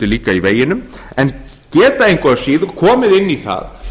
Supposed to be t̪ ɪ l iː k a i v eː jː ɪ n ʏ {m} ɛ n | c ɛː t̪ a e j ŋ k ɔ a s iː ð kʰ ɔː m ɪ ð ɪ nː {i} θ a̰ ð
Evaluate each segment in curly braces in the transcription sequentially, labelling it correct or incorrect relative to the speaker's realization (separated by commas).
correct, correct